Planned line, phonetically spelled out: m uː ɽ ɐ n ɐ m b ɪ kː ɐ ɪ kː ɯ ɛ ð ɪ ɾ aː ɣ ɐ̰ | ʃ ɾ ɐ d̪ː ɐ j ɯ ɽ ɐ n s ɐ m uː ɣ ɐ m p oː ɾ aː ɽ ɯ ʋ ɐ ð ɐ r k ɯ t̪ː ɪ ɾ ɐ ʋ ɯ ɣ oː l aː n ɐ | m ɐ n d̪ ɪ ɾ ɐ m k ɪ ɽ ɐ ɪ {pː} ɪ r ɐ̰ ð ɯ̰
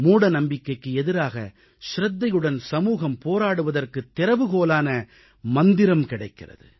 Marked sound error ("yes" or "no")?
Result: yes